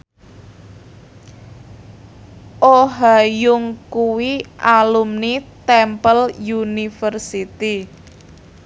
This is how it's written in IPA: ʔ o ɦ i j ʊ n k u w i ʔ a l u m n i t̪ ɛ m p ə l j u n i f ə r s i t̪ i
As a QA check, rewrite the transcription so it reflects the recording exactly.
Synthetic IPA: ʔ o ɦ a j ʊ ŋ k u w i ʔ a l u m n i t̪ ɛ m p ə l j u n i f ə r s i t̪ i